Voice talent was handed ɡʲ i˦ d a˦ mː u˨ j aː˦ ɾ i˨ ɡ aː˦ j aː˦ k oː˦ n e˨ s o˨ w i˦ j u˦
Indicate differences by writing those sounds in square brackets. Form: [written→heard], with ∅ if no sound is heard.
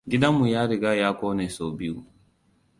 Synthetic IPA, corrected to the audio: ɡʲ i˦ d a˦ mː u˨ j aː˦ ɾ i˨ ɡ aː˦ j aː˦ k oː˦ n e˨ s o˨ [w→b] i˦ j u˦